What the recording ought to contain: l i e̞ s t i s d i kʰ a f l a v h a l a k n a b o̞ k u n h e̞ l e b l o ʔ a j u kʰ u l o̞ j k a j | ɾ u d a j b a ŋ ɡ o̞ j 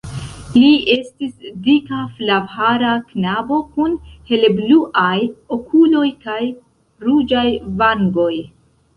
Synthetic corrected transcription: l i e̞ s t i s d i k a f l a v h a ɾ a k n a b o̞ k u n h e̞ l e b l u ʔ a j o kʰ u l o̞ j k a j | ɾ u d͡ʒ a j v a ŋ ɡ o̞ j